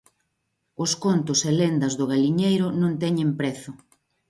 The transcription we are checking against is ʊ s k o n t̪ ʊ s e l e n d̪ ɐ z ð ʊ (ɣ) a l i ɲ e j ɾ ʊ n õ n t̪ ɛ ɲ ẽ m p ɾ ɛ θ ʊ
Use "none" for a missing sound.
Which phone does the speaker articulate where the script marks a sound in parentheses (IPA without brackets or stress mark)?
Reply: ɣ